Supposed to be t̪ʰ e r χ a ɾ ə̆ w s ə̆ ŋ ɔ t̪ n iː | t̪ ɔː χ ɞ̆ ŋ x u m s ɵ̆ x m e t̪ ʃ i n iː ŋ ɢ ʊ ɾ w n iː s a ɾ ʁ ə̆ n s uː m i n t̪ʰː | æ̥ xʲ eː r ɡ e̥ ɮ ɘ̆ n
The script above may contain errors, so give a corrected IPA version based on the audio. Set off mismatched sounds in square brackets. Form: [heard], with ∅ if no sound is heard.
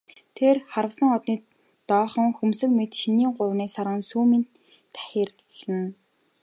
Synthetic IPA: t̪ʰ e r χ a ɾ ə̆ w s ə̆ ŋ ɔ t̪ n iː | t̪ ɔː χ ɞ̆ ŋ x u m s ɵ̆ [k] m e t̪ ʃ i n iː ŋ ɢ ʊ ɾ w n iː s a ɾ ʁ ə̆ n s uː m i n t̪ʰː | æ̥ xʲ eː r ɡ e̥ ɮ ɘ̆ n